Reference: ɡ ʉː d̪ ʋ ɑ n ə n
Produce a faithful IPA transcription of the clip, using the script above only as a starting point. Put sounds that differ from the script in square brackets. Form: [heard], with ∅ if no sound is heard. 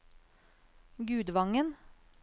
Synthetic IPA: ɡ ʉː d̪ ʋ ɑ [ŋ] ə n